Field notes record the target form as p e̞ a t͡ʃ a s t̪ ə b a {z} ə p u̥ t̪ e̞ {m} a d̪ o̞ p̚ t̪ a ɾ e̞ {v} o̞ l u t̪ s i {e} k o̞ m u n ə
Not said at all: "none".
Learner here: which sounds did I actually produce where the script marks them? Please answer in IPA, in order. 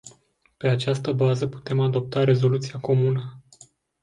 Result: z, m, z, a

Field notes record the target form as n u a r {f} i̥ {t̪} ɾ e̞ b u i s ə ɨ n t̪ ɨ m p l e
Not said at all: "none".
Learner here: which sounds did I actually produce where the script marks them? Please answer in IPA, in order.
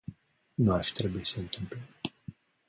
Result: f, t̪

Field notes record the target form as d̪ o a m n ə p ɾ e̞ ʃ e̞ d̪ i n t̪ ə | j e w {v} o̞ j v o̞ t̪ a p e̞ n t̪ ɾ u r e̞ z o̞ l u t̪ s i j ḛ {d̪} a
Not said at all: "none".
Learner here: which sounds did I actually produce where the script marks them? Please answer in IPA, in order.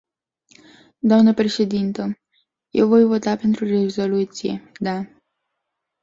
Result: v, d̪

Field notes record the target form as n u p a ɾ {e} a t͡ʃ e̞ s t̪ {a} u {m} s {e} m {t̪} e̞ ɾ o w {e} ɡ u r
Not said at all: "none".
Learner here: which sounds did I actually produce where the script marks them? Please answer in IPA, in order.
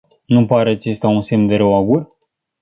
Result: e, a, n, e, d̪, a

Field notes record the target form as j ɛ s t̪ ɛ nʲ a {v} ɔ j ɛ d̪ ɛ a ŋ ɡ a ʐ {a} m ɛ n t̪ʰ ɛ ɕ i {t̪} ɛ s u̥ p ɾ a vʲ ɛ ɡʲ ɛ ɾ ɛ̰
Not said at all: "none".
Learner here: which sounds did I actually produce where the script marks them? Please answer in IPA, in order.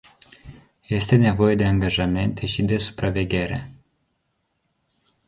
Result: v, a, d̪

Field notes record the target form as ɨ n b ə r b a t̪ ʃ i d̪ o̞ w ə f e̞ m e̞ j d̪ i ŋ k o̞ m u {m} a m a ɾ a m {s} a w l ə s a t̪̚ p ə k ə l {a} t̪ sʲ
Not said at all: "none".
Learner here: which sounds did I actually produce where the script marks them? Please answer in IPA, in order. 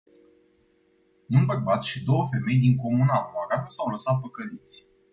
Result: n, s, i

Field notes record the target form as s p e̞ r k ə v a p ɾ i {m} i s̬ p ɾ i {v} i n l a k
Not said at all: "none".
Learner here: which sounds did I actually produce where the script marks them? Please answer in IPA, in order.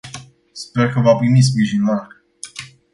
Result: m, ʒ

